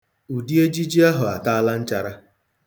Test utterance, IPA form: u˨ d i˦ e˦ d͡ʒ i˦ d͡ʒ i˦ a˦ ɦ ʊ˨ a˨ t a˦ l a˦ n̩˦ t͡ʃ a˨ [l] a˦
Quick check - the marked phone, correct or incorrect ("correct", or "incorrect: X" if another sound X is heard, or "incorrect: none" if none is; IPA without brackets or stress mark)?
incorrect: ɾ